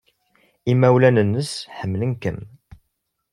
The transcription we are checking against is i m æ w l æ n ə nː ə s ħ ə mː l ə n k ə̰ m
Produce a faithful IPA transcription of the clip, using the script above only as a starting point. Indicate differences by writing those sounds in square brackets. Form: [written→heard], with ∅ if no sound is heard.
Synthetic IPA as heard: i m æ w l æ n ə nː ə s ħ ə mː l ə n k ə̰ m